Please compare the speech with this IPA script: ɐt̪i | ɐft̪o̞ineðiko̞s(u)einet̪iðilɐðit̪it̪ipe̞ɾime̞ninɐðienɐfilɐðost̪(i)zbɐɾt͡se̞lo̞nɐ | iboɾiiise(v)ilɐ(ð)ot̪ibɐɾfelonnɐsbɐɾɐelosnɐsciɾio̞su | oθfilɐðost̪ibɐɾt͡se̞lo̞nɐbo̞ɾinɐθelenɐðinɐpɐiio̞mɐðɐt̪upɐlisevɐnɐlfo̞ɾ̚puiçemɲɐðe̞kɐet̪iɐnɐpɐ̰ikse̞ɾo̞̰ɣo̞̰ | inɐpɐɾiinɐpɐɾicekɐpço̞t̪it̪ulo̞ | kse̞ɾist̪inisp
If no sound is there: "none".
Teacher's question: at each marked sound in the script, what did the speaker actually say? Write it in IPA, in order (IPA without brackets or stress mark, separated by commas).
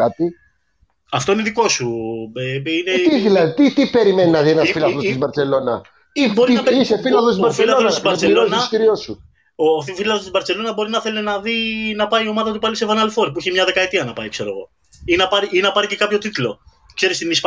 u, i, f, ð